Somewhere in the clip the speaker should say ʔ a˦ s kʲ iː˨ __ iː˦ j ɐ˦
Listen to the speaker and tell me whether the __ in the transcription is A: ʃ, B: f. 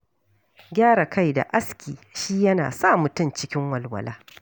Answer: A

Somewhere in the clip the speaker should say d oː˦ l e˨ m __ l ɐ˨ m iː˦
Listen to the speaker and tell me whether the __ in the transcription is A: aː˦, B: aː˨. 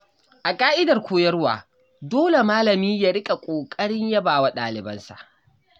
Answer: A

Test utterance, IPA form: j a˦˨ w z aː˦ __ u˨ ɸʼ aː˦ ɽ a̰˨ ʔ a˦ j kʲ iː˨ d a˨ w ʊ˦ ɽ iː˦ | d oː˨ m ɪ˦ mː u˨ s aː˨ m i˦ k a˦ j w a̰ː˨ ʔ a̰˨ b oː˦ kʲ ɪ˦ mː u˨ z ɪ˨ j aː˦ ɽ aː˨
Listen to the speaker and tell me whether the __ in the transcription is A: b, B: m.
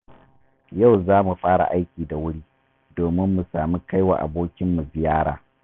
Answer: B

